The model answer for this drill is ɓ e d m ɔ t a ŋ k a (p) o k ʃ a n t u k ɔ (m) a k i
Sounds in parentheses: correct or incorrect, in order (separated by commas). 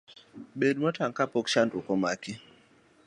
correct, correct